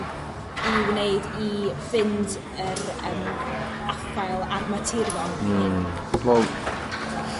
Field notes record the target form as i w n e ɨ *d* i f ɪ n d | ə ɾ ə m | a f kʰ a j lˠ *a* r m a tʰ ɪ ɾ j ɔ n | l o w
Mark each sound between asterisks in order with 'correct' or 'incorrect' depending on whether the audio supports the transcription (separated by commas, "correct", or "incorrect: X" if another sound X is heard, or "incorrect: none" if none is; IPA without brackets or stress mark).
correct, correct